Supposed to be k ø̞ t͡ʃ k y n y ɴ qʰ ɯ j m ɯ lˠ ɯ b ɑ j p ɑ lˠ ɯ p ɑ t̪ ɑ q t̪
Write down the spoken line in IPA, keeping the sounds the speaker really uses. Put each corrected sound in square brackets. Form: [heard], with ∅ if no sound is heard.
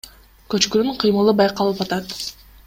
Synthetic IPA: k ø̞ t͡ʃ k y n y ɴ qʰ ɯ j m ɯ lˠ ɯ b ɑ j [q] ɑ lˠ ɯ p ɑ t̪ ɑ [∅] t̪